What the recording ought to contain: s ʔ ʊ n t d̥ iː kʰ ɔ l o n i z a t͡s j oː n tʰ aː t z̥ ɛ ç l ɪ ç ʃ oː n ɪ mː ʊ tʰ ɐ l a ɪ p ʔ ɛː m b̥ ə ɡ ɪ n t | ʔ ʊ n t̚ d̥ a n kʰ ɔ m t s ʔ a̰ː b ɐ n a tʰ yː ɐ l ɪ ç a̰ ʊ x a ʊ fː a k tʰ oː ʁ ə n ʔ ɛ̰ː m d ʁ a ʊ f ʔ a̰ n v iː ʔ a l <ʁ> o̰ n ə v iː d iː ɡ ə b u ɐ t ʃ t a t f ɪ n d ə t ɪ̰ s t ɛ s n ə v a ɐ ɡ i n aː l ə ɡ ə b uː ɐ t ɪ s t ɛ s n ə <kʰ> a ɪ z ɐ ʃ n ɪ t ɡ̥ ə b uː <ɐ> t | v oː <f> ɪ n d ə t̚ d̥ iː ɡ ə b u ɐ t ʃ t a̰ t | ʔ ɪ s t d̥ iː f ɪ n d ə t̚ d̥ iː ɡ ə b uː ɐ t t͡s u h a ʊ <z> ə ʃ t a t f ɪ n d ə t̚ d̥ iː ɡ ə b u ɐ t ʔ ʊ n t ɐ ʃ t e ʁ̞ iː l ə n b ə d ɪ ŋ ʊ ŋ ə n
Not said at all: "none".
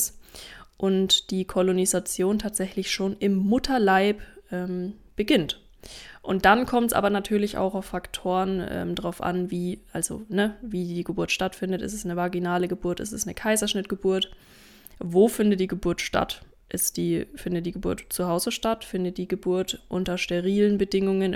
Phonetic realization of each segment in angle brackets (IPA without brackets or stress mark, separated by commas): z, kʰ, ɐ, f, z